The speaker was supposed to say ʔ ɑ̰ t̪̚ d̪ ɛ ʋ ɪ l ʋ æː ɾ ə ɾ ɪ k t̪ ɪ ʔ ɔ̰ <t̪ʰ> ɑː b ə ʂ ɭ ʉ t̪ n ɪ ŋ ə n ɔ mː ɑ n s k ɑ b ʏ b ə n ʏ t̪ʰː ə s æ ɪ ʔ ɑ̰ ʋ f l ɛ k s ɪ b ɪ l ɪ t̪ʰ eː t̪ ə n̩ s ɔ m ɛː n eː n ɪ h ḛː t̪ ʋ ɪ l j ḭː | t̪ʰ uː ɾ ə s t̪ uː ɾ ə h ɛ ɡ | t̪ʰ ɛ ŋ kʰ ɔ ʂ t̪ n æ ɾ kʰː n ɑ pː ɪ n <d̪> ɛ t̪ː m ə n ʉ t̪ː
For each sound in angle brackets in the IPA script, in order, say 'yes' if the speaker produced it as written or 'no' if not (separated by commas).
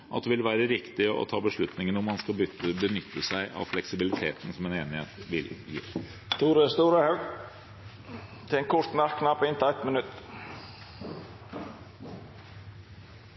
yes, no